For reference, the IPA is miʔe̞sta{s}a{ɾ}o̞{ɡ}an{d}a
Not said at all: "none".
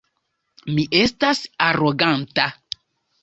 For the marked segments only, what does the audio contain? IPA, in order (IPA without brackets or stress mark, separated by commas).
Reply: s, ɾ, ɡ, t